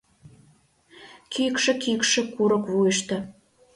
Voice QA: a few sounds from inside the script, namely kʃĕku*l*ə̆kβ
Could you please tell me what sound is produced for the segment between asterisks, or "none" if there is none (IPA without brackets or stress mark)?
ɾ